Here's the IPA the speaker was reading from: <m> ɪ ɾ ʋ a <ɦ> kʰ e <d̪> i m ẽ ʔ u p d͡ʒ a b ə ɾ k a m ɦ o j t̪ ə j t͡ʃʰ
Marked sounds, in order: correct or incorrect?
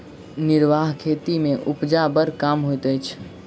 incorrect: n, correct, incorrect: t̪

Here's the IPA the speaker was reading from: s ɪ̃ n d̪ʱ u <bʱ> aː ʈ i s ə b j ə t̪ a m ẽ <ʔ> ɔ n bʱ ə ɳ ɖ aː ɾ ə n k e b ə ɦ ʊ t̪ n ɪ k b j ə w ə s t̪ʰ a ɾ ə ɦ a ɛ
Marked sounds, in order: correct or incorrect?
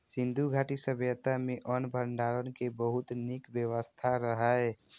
incorrect: ɡʱ, correct

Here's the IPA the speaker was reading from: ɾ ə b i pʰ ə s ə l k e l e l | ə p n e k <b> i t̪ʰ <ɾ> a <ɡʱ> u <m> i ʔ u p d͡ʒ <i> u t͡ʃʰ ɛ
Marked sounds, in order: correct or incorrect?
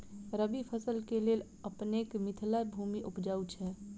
incorrect: m, incorrect: l, incorrect: bʱ, correct, incorrect: a

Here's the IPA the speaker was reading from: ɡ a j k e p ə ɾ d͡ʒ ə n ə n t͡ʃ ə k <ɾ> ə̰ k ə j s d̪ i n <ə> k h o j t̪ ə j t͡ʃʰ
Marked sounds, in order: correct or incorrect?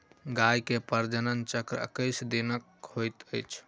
correct, correct

